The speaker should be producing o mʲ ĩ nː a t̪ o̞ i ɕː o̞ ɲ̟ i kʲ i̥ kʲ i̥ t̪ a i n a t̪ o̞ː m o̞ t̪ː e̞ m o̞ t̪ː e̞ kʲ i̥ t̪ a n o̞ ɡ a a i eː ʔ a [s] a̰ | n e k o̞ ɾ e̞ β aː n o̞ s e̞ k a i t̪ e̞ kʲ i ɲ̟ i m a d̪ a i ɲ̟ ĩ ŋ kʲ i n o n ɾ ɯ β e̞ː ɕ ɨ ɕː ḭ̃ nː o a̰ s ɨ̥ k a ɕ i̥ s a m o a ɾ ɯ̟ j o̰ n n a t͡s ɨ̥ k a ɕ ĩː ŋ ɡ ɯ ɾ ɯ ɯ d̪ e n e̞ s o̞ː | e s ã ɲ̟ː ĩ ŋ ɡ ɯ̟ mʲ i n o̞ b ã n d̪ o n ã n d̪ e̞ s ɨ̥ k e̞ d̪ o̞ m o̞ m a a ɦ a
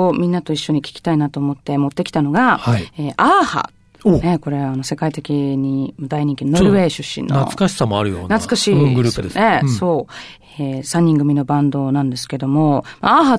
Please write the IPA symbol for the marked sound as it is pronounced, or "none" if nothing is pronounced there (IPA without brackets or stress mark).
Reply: h